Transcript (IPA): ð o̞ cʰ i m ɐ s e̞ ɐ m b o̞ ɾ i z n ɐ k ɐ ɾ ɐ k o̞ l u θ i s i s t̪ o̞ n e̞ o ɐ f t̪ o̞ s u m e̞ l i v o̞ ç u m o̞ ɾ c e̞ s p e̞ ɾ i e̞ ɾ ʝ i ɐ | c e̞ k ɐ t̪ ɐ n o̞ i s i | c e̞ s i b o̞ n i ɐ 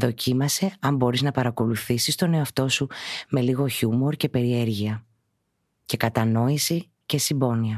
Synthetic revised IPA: ð o̞ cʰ i m ɐ s e̞ ɐ m b o̞ ɾ i z n ɐ p ɐ ɾ ɐ k o̞ l u θ i s i s t̪ o̞ n e̞ o ɐ f t̪ o̞ s u m e̞ l i ɣ o̞ ç u m o̞ ɾ c e̞ p e̞ ɾ i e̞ ɾ ʝ i ɐ | c e̞ k ɐ t̪ ɐ n o̞ i s i | c e̞ s i b o̞ n i ɐ